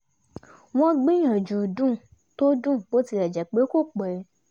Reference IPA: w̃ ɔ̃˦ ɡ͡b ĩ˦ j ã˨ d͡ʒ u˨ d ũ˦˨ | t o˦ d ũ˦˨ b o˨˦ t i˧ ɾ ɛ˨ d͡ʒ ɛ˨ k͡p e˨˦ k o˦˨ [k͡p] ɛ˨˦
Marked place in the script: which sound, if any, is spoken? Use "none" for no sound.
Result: k͡p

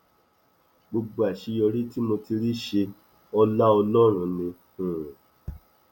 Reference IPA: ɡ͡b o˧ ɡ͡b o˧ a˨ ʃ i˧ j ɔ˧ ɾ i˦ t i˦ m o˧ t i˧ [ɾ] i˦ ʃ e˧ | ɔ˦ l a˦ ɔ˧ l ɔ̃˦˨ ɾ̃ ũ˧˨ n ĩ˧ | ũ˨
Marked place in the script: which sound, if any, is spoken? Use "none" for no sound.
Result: ɾ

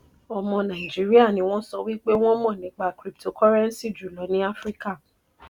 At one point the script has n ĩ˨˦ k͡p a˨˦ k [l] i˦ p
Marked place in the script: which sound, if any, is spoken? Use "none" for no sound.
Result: ɾ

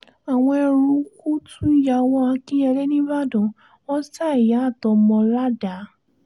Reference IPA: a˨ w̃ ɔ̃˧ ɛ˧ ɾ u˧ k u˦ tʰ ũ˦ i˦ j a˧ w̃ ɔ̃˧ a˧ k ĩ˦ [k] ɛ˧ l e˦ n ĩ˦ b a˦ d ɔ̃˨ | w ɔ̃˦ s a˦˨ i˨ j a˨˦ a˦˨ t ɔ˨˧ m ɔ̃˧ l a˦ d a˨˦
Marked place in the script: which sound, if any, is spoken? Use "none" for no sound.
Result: none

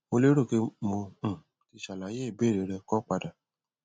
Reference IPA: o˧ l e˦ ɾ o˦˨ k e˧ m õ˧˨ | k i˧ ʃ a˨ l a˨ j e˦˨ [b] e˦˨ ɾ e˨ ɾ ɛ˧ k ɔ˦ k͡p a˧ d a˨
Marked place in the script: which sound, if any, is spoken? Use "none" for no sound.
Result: b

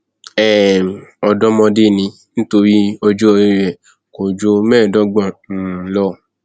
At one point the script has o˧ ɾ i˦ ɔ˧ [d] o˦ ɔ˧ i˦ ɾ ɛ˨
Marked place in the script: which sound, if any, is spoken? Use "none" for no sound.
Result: d͡ʒ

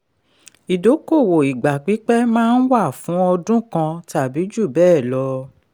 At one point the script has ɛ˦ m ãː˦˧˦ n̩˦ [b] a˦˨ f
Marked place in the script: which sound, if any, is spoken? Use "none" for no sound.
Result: w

